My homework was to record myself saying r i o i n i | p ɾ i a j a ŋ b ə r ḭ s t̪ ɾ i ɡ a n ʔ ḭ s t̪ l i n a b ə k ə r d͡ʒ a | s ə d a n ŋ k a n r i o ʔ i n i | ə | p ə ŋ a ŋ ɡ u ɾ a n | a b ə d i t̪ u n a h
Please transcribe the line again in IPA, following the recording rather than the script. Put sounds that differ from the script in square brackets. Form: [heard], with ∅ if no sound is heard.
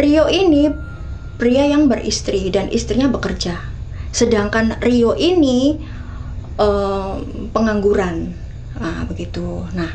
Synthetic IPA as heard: r i o i n i | p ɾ i a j a ŋ b ə r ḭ s t̪ ɾ i [d] a n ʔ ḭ s t̪ [ɾ] i [ɲ] a b ə k ə r d͡ʒ a | s ə d a [∅] ŋ k a n r i o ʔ i n i | ə | p ə ŋ a ŋ ɡ u ɾ a n | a b ə [ɡ] i t̪ u n a h